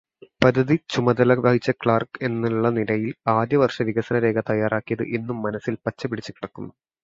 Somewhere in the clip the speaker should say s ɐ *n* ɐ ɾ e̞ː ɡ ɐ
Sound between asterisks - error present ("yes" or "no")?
no